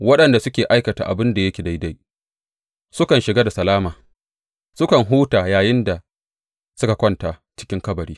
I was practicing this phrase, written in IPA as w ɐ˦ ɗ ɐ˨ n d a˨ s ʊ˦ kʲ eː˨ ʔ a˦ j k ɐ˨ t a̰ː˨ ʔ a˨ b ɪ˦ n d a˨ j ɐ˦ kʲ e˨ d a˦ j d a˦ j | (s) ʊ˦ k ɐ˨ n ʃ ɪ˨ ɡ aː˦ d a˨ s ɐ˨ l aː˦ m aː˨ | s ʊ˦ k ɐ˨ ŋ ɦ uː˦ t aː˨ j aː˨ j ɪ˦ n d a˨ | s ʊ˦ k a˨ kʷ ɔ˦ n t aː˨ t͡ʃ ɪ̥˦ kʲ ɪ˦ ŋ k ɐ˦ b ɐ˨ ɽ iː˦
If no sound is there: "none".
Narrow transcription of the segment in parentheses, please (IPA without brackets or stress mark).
s